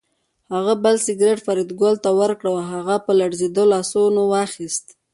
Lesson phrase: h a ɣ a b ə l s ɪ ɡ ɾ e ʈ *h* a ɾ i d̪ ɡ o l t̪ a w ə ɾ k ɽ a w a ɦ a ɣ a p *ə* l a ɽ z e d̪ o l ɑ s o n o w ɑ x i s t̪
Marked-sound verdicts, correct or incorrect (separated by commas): incorrect, correct